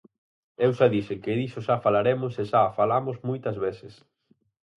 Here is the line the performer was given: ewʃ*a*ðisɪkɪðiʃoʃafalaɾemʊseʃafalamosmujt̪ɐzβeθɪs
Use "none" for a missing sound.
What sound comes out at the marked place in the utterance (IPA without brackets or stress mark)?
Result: a